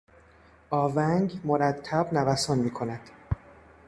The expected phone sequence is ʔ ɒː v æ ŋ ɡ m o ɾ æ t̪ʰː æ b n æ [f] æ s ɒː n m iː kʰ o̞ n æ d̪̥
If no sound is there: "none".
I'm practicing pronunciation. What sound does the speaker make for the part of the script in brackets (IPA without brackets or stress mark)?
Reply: v